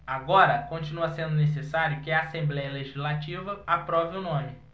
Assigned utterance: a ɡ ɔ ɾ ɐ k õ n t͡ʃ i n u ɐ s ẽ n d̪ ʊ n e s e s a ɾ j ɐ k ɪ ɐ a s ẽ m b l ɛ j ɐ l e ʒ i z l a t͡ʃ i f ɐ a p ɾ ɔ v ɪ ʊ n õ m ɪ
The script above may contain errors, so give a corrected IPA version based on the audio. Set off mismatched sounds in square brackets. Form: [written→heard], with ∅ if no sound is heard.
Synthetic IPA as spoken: a ɡ ɔ ɾ ɐ k õ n t͡ʃ i n u ɐ s ẽ n d̪ ʊ n e s e s a ɾ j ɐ k ɪ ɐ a s ẽ m b l ɛ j ɐ l e ʒ i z l a t͡ʃ i [f→v] ɐ a p ɾ ɔ v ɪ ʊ n õ m ɪ